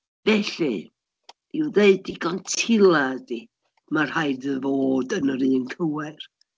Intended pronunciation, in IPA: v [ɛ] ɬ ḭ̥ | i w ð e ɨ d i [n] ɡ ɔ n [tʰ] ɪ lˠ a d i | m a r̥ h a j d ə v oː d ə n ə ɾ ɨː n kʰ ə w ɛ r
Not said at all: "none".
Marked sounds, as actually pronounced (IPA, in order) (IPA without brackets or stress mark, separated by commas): ɛ, none, tʰ